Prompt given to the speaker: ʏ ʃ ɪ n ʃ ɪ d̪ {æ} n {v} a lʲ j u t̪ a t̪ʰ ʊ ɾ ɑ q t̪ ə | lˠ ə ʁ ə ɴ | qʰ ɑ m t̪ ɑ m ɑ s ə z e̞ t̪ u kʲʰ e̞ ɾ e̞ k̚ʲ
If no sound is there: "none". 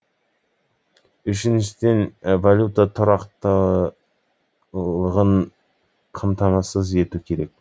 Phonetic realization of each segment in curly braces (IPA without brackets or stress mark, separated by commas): e, v